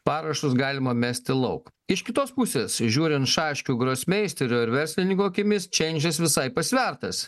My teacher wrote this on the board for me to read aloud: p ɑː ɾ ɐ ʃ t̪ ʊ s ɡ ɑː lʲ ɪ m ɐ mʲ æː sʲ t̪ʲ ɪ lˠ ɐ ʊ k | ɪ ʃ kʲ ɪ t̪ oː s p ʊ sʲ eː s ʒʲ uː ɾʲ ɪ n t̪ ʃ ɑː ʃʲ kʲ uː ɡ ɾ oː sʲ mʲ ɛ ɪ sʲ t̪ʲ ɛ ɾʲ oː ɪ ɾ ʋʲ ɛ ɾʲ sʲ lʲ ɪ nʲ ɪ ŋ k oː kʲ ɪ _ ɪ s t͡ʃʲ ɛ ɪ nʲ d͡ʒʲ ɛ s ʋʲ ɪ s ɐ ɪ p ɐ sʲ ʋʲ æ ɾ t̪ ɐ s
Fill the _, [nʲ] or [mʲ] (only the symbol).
mʲ